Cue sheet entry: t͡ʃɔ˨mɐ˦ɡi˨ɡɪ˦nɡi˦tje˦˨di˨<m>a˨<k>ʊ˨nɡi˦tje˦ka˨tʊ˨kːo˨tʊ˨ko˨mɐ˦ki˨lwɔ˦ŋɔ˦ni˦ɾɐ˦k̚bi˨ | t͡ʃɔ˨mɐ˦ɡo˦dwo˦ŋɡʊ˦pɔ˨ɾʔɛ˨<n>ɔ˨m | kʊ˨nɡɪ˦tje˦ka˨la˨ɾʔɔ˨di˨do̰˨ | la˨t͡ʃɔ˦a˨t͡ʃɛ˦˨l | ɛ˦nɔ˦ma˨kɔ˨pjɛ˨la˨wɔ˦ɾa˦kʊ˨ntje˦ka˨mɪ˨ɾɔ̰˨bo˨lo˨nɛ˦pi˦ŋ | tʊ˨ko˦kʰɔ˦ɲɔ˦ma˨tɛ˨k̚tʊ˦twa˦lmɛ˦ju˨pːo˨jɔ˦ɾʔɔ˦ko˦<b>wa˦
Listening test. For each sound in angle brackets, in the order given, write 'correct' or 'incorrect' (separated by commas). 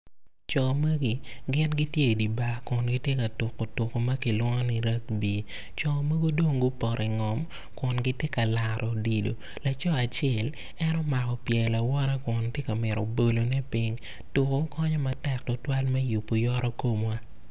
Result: incorrect, correct, incorrect, incorrect